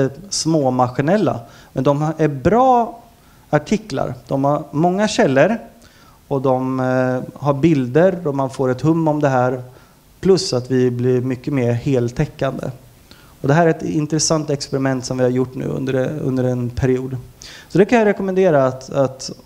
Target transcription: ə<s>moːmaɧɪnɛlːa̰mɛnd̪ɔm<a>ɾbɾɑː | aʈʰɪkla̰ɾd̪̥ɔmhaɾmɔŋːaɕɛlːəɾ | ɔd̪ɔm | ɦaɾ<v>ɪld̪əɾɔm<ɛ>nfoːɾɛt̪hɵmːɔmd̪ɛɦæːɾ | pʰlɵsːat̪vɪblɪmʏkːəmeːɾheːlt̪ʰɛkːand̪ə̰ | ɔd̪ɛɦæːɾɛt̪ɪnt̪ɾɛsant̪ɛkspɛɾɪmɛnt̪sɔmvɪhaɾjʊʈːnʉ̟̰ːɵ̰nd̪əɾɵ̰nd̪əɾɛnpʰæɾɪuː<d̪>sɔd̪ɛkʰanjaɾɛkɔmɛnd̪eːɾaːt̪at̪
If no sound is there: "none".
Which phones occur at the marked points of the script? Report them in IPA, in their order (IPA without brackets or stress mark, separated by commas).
s, æ, b, a, d̪